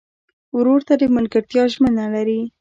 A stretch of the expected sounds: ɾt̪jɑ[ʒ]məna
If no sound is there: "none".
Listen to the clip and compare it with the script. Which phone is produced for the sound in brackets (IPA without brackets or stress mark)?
ʒ